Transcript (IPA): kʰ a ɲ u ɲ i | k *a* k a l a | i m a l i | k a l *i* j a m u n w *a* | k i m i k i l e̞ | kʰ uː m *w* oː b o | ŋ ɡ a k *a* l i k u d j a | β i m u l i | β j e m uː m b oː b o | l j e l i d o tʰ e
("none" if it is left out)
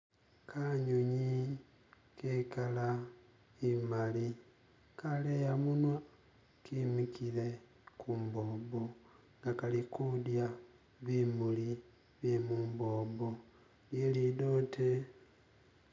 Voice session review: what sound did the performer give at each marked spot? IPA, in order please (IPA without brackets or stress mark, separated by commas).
e, e, a, b, a